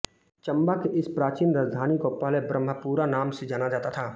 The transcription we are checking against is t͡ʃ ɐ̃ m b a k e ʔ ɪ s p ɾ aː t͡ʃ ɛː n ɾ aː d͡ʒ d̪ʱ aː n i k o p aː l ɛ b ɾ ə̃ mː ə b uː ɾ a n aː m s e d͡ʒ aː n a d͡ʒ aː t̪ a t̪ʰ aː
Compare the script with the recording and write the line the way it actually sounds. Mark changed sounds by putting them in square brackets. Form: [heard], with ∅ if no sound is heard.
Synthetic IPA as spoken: t͡ʃ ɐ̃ m b a k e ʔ ɪ s p ɾ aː t͡ʃ [iː] n ɾ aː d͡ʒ d̪ʱ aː n i k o p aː l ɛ b ɾ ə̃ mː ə [p] uː ɾ a n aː m s e d͡ʒ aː n a d͡ʒ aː t̪ a t̪ʰ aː